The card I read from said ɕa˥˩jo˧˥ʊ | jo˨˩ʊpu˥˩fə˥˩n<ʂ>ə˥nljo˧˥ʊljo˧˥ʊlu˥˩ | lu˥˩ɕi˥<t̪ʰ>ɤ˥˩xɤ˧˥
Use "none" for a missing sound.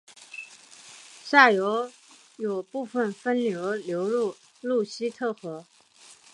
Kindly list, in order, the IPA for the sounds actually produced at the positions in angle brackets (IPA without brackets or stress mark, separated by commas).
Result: f, t̪ʰ